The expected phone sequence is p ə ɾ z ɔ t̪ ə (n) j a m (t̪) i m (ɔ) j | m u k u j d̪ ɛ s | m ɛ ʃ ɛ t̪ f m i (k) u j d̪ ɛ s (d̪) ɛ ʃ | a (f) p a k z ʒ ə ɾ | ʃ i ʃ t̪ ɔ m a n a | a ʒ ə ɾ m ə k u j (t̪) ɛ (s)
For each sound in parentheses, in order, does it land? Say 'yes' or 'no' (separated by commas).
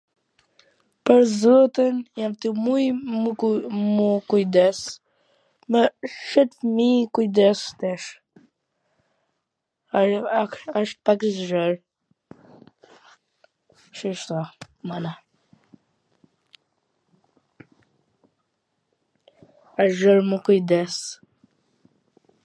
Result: yes, yes, no, yes, no, no, no, yes